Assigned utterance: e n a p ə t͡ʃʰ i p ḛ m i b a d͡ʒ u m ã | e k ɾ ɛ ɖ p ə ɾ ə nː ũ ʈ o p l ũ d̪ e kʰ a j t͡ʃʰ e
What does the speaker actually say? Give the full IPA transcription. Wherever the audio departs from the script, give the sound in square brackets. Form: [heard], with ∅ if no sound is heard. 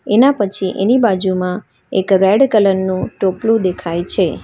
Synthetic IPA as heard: e n a p ə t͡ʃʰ i [ʔ] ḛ [n] i b a d͡ʒ u m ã | e k ɾ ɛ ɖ [k] ə [l] ə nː ũ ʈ o p l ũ d̪ e kʰ a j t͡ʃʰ e